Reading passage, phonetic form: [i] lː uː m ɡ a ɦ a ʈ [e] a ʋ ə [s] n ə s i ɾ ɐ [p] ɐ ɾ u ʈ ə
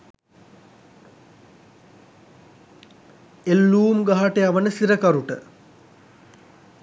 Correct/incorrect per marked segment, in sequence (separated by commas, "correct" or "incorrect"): incorrect, correct, incorrect, incorrect